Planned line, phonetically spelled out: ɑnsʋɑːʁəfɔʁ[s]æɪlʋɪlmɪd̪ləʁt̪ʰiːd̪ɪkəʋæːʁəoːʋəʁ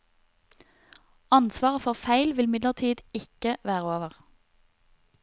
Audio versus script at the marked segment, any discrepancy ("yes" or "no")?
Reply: yes